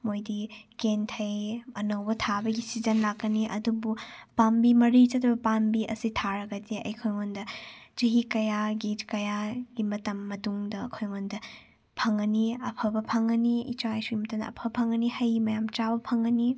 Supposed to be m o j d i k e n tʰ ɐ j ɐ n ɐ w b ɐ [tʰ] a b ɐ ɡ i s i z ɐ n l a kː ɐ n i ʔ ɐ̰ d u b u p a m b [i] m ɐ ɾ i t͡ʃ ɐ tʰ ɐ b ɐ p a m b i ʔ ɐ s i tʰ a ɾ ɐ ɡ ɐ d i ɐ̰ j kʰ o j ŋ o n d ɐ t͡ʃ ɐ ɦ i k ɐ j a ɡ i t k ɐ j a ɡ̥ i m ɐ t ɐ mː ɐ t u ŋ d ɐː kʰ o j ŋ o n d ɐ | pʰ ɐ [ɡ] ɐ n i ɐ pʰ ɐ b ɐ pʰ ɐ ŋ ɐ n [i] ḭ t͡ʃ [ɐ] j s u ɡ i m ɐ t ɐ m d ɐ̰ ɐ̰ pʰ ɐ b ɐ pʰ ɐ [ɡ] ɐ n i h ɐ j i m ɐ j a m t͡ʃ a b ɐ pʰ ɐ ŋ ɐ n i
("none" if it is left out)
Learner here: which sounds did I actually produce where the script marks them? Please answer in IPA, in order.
tʰ, i, ŋ, i, a, ŋ

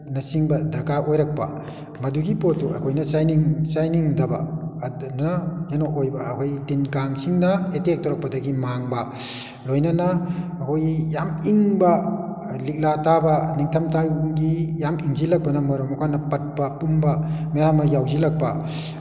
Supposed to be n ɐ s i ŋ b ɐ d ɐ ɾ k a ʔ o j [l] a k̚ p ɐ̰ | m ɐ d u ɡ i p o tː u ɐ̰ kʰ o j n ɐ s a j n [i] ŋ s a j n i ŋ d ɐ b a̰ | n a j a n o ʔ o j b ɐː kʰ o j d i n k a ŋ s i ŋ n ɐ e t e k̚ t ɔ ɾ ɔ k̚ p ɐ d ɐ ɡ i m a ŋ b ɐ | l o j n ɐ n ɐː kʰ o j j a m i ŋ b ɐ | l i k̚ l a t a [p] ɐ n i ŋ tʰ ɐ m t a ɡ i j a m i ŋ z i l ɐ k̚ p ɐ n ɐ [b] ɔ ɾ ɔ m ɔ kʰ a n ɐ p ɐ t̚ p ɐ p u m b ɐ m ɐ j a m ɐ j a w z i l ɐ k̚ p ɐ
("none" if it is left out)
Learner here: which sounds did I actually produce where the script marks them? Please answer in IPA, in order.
ɾ, i, b, m

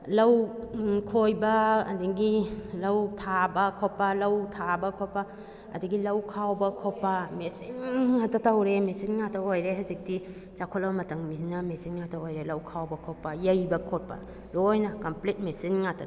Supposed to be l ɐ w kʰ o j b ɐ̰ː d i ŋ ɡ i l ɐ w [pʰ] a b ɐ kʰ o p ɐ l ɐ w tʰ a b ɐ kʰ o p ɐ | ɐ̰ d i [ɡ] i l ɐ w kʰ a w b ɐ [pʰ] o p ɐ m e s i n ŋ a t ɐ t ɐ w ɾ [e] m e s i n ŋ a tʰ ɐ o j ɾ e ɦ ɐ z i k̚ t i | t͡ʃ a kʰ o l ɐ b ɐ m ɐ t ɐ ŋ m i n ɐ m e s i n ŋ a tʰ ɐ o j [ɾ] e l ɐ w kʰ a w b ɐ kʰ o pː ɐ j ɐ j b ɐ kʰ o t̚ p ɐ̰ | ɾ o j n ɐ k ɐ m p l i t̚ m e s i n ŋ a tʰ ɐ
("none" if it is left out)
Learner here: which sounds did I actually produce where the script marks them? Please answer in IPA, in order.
tʰ, ɡ, kʰ, e, ɾ

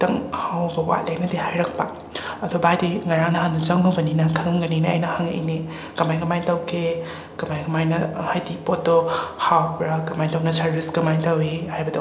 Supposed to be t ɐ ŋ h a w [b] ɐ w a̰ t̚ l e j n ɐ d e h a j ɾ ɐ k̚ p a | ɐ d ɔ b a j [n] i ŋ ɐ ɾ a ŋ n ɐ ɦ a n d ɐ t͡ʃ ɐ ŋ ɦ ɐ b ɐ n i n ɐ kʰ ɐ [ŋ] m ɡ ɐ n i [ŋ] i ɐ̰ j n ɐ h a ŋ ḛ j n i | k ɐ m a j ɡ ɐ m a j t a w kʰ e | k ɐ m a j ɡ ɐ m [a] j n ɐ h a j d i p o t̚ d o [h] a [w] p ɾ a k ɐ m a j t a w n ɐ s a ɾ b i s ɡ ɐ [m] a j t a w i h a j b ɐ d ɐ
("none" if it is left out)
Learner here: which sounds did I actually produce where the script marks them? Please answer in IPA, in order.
b, d, ŋ, n, a, h, w, m

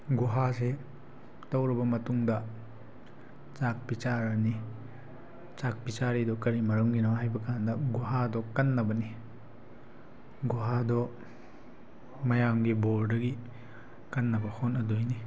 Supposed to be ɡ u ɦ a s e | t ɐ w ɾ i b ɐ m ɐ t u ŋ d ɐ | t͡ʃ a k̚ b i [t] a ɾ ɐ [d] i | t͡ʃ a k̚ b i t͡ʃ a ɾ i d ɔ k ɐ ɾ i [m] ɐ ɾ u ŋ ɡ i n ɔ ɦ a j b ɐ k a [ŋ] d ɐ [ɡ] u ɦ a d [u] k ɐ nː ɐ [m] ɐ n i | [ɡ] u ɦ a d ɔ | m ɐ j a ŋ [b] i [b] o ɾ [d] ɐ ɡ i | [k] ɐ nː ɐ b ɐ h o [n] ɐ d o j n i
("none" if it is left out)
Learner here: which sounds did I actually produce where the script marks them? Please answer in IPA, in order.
t͡ʃ, n, m, n, ɡ, ɔ, b, ɡ, ɡ, b, d, k, n

